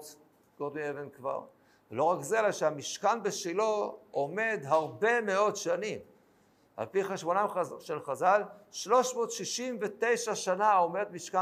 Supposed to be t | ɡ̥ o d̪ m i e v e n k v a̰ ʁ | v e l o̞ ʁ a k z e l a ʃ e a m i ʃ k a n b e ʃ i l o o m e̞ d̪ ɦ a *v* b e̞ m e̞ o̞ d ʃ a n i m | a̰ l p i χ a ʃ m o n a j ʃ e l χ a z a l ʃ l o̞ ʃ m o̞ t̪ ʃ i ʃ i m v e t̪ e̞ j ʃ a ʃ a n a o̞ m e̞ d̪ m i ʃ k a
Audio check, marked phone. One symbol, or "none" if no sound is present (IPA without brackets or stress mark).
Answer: ʁ